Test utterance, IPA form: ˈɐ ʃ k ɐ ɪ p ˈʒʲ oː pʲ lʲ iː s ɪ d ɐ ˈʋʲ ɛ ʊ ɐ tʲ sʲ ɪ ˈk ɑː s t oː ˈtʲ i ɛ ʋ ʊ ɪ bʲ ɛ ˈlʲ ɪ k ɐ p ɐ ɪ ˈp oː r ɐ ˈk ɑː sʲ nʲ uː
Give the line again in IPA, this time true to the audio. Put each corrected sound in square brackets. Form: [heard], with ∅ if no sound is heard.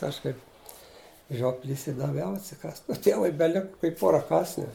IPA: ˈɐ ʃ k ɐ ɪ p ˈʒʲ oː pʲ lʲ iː s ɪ d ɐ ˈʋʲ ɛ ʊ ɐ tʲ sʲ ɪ ˈk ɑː s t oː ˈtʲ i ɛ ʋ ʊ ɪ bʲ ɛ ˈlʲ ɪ k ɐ [k] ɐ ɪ ˈp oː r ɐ ˈk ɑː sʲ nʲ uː